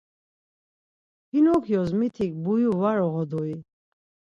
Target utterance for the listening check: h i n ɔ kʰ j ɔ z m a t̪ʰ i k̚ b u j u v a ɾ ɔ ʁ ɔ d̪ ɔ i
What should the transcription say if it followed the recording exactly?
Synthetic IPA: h i n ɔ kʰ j ɔ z m i t̪ʰ i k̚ b u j u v a ɾ ɔ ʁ ɔ d̪ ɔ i

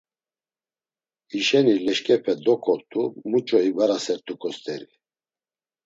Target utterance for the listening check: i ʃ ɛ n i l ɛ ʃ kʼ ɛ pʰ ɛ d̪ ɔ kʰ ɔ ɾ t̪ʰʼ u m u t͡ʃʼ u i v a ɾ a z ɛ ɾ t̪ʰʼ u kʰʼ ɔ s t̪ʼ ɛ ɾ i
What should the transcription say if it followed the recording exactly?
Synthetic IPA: i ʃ ɛ n i l ɛ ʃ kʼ ɛ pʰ ɛ d̪ ɔ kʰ ɔ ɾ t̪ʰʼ u m u t͡ʃʼ ɔ i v a ɾ a s ɛ ɾ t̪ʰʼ u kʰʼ ɔ s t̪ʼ ɛ ɾ i

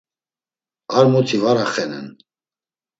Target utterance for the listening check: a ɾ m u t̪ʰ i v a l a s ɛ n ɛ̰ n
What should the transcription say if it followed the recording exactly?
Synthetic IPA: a ɾ m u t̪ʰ i v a ɾ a χ ɛ n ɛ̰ n

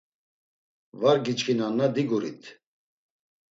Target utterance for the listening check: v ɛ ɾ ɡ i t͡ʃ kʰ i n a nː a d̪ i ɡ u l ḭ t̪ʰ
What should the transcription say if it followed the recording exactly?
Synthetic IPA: v a ɾ ɡ i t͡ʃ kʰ i n a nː a d̪ i ɡ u ɾ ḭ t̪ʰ

